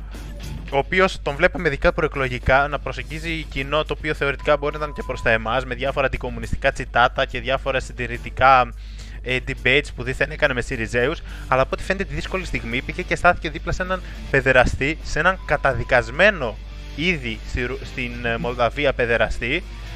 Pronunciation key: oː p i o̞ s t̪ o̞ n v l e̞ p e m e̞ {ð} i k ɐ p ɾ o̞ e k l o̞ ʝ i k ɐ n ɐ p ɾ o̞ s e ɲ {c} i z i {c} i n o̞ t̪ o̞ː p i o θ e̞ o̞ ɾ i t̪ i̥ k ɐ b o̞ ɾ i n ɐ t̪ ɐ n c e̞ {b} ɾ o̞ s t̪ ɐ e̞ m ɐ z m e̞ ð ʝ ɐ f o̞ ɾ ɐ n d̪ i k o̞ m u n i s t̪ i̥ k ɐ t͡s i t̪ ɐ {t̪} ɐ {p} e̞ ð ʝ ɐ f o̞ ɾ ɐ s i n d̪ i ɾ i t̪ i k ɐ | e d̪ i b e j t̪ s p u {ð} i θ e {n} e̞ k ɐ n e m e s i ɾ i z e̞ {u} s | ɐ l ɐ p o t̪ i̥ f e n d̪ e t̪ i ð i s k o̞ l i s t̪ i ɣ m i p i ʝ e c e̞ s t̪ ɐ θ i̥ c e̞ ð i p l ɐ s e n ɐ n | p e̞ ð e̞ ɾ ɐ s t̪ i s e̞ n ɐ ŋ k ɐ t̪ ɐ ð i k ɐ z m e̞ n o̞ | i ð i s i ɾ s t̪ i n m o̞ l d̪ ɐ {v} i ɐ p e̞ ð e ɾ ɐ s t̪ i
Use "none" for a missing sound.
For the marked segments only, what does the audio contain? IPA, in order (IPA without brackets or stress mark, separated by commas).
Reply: ð, ɟ, c, p, t̪, c, ð, n, u, v